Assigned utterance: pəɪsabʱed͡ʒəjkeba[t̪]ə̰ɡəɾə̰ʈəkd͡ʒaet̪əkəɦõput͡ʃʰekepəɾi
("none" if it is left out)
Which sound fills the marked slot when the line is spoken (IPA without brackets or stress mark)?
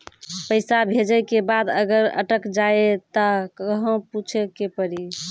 d̪